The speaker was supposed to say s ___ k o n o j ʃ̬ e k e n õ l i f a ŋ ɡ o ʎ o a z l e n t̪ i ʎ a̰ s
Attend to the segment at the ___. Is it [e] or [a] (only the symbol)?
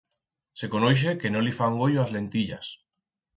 e